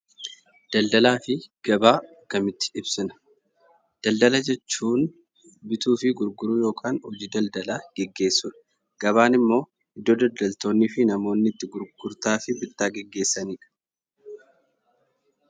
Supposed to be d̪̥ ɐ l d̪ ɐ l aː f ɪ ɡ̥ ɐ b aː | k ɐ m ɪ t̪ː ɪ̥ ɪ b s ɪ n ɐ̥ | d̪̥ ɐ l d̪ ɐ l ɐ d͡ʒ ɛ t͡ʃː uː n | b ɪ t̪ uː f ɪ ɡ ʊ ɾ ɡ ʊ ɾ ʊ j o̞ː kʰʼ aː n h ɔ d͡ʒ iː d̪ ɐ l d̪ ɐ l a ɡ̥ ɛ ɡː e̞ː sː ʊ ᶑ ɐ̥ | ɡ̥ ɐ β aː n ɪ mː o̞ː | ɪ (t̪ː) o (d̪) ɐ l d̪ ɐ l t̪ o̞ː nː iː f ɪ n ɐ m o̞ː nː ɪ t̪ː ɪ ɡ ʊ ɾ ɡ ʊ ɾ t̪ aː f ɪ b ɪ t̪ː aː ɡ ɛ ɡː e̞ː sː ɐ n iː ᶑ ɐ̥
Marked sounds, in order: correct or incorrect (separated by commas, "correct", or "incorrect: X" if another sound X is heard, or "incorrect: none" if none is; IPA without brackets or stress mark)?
incorrect: d̪ː, correct